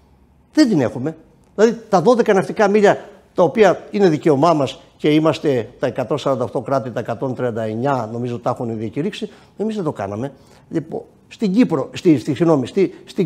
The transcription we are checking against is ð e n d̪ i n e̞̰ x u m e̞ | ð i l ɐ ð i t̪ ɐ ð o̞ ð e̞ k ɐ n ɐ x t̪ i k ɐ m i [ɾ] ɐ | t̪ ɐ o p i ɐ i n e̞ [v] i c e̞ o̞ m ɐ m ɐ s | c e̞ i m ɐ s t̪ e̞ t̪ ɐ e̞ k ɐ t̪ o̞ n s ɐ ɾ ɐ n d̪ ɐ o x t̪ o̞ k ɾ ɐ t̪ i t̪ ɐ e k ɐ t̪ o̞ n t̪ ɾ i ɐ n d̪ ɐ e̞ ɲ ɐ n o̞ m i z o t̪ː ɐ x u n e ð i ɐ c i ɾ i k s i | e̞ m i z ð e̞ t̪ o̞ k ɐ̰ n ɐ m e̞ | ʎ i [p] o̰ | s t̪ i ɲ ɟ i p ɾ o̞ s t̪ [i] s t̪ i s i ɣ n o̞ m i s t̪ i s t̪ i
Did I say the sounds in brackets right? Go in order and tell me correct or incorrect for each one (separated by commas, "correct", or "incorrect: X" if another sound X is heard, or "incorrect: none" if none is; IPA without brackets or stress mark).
incorrect: ʎ, incorrect: ð, correct, correct